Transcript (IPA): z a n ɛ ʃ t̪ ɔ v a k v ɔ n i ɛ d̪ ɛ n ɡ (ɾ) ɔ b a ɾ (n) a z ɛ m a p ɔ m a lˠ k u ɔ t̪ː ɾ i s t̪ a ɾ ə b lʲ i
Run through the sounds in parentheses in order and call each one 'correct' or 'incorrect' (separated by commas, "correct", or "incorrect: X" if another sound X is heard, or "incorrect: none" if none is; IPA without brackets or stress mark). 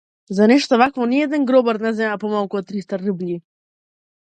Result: correct, correct